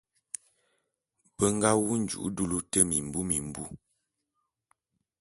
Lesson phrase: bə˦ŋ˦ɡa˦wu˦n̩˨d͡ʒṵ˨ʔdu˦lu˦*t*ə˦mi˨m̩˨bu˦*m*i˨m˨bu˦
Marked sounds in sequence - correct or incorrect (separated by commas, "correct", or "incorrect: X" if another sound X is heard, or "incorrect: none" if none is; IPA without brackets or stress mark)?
correct, correct